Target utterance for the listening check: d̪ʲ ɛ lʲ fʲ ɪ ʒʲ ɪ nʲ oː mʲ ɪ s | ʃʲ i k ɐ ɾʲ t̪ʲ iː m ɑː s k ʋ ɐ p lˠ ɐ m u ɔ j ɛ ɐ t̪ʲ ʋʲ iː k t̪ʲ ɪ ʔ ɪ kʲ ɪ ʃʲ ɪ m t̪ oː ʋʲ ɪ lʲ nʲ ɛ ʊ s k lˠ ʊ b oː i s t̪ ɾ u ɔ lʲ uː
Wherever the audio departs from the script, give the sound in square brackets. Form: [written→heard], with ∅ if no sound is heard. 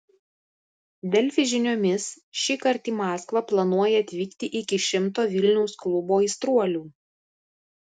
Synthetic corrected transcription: d̪ʲ ɛ lʲ fʲ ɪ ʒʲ ɪ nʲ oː mʲ ɪ s | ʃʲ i k ɐ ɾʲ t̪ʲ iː m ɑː s k ʋ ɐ p lˠ ɐ [m→n] u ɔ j ɛ ɐ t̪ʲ ʋʲ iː k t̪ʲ ɪ ʔ ɪ kʲ ɪ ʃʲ ɪ m t̪ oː ʋʲ ɪ lʲ nʲ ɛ ʊ s k lˠ ʊ b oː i s t̪ ɾ u ɔ lʲ uː

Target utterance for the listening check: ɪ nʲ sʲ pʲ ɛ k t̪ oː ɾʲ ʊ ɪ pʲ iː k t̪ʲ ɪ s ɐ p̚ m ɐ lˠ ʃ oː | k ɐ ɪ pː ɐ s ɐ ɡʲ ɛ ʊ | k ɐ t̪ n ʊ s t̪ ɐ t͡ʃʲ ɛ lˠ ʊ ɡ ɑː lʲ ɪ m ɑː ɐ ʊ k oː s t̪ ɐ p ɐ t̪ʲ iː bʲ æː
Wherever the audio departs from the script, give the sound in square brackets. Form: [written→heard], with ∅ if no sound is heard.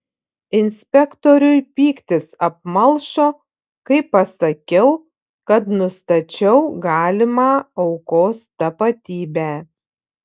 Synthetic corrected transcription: ɪ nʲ sʲ pʲ ɛ k t̪ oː ɾʲ ʊ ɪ pʲ iː k t̪ʲ ɪ s ɐ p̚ m ɐ lˠ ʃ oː | k ɐ ɪ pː ɐ s ɐ [ɡʲ→kʲ] ɛ ʊ | k ɐ t̪ n ʊ s t̪ ɐ t͡ʃʲ ɛ [lˠ→∅] ʊ ɡ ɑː lʲ ɪ m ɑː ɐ ʊ k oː s t̪ ɐ p ɐ t̪ʲ iː bʲ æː

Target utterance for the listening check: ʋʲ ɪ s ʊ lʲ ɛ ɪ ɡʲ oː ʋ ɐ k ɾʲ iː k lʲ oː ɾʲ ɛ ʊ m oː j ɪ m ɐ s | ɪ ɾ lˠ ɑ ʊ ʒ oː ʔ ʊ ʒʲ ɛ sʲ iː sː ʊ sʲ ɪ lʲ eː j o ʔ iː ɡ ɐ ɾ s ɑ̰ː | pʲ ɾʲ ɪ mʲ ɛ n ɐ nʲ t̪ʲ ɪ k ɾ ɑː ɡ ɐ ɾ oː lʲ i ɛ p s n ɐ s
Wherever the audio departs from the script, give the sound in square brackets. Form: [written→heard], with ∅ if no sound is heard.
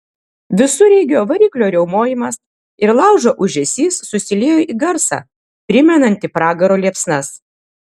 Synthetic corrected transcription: ʋʲ ɪ s ʊ [lʲ→ɾʲ] ɛ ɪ ɡʲ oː ʋ ɐ [k→∅] ɾʲ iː k lʲ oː ɾʲ ɛ ʊ m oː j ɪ m ɐ s | ɪ ɾ lˠ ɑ ʊ ʒ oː ʔ ʊ ʒʲ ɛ sʲ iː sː ʊ sʲ ɪ lʲ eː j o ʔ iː ɡ ɐ ɾ s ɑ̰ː | pʲ ɾʲ ɪ mʲ ɛ n ɐ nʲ t̪ʲ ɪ [k→p] ɾ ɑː ɡ ɐ ɾ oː lʲ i ɛ p s n ɐ s

